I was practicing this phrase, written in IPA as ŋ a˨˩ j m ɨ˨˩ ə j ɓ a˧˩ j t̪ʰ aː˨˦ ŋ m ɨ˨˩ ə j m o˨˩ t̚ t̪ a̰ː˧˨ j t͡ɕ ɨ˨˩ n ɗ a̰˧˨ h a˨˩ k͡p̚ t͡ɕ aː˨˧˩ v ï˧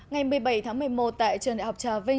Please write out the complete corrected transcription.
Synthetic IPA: ŋ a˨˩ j m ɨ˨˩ ə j ɓ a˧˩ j t̪ʰ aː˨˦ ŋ m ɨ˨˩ ə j m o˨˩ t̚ t̪ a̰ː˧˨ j t͡ɕ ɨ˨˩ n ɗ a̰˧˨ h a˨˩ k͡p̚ t͡ɕ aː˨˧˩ v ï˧